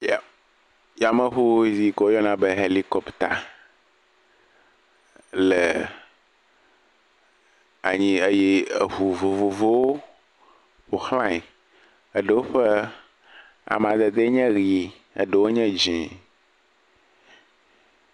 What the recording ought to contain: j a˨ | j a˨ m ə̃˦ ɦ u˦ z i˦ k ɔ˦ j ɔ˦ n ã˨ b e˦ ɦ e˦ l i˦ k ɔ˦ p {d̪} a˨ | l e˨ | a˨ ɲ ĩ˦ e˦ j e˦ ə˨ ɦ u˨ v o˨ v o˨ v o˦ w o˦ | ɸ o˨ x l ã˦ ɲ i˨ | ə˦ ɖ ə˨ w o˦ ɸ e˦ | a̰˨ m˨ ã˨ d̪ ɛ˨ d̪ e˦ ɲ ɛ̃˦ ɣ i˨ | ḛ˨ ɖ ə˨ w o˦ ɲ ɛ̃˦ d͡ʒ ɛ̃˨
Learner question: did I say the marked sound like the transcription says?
no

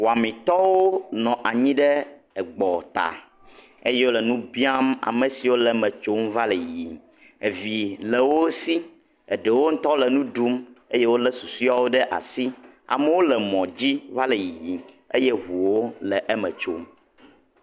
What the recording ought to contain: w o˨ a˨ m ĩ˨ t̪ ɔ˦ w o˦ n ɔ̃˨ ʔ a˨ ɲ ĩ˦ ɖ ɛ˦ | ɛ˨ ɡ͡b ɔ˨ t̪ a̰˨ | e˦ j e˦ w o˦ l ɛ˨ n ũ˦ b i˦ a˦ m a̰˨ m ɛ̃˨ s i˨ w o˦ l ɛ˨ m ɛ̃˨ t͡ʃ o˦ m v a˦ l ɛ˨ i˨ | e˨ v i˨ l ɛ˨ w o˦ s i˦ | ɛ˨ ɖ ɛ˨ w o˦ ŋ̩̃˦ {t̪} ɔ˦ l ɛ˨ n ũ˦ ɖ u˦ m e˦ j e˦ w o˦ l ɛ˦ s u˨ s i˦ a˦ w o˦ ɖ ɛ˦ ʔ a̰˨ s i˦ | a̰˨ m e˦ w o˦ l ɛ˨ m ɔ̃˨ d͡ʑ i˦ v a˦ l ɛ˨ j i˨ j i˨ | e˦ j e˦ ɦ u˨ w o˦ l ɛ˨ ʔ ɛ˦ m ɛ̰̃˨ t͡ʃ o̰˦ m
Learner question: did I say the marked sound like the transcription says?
yes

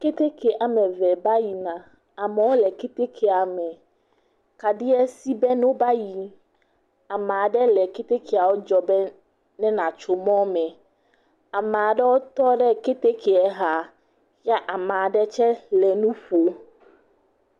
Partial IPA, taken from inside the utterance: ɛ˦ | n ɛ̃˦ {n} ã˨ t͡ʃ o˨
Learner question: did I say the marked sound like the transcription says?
yes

